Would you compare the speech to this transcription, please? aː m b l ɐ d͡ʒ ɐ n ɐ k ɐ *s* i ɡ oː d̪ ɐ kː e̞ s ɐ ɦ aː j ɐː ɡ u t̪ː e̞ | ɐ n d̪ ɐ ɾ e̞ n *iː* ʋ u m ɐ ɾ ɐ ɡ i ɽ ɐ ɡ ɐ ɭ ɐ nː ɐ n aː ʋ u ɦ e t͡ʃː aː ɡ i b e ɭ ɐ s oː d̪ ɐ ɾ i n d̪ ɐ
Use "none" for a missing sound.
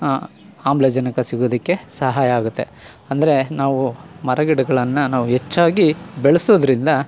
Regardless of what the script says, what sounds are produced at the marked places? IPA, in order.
s, aː

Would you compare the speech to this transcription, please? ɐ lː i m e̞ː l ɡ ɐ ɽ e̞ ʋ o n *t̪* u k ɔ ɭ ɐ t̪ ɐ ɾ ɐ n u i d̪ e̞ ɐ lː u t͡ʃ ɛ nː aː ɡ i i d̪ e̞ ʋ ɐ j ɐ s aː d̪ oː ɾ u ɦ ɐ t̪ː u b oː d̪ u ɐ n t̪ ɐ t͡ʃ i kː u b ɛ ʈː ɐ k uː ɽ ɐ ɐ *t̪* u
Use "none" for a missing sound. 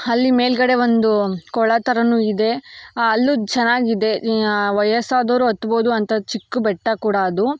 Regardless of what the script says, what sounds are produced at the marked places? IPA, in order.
d̪, d̪

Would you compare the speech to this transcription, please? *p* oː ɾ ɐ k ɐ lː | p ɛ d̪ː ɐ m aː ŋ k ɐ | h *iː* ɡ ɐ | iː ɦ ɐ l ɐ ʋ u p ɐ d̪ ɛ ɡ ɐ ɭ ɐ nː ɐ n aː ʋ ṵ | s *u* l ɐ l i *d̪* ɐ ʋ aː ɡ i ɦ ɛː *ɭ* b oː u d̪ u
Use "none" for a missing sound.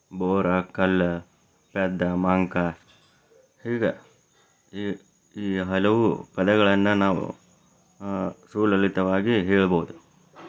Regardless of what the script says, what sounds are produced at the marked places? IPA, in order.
b, iː, uː, t̪, ɭ

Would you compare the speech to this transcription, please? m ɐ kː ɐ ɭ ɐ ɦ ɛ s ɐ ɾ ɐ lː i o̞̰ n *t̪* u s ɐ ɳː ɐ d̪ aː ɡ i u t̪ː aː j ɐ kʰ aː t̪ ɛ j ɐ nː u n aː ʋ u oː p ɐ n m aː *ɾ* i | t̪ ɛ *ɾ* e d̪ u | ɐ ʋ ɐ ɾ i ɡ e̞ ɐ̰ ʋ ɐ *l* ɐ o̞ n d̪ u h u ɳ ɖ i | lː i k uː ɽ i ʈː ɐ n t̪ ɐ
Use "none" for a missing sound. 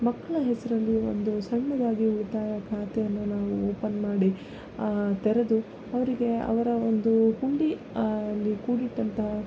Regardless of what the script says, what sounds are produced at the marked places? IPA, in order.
d̪, ɽ, ɾ, ɾ

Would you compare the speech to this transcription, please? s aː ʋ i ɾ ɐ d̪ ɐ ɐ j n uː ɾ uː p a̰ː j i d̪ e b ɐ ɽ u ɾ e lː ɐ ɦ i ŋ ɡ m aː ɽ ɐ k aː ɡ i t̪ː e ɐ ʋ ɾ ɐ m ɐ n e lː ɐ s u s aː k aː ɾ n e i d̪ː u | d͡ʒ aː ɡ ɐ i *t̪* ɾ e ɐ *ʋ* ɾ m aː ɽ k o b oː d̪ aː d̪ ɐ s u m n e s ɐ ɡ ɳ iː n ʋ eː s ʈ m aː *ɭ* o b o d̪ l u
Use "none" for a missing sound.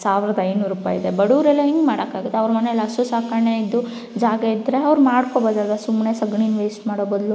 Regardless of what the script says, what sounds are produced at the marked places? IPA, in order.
d̪, ʋ, ɽ

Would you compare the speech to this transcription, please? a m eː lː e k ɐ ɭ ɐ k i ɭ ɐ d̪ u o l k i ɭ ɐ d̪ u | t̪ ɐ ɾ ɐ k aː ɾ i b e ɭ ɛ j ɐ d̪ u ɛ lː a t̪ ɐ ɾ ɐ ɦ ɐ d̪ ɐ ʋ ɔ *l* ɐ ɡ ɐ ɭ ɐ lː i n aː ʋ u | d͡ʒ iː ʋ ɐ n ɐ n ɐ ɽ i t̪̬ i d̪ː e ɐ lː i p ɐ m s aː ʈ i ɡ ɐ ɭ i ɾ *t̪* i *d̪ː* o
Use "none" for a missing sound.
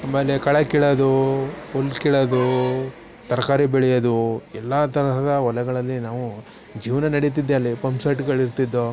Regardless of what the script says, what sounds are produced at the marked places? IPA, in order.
l, t̪, d̪ː

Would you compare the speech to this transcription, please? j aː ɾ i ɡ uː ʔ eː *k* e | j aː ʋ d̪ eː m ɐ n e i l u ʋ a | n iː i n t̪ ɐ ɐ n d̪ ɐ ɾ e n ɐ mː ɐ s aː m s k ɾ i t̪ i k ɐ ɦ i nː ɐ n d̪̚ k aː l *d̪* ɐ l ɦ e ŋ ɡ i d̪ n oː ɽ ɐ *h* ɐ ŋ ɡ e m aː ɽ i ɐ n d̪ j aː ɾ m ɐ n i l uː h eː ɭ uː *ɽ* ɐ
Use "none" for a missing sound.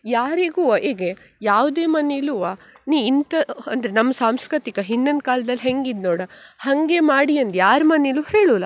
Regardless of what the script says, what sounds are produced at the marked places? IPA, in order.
ɡ, d̪, h, l

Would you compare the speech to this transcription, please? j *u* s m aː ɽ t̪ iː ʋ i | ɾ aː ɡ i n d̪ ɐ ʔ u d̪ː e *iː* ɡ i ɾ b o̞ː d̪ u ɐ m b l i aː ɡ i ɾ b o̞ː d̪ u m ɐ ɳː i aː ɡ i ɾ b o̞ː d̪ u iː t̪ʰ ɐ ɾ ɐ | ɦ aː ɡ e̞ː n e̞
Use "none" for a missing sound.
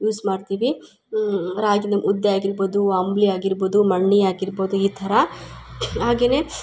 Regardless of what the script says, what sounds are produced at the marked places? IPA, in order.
uː, aː

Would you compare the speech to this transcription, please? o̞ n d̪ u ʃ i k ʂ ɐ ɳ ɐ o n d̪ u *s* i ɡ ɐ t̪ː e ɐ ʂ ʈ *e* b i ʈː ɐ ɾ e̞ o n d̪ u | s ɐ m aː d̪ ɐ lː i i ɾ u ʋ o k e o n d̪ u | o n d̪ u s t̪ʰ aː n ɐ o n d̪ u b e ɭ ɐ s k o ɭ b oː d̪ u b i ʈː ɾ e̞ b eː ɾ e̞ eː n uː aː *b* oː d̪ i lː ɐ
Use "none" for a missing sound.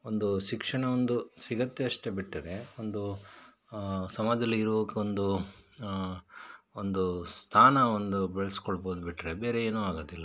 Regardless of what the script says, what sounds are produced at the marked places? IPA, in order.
s, e, ɡ

